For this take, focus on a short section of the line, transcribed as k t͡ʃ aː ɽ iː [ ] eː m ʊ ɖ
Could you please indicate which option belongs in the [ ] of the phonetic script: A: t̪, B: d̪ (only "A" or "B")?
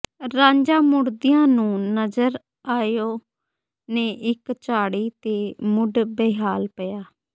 A